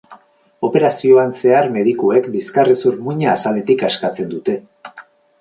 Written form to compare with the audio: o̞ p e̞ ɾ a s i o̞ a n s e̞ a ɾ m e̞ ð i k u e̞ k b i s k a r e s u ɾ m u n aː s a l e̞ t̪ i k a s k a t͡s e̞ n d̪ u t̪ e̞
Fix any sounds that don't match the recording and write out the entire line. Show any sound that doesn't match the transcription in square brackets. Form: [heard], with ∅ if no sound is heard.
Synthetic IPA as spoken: o̞ p e̞ ɾ a s i o̞ a n s e̞ a ɾ m e̞ ð i k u e̞ k b i s k a r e s u ɾ m u [ɲ] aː s a l e̞ t̪ i k a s k a t͡s e̞ n d̪ u t̪ e̞